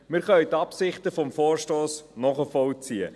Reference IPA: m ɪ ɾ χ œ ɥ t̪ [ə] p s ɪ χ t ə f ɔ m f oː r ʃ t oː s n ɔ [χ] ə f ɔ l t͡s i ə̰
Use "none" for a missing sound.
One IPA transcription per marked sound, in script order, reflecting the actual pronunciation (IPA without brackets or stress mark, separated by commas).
ɑ, χ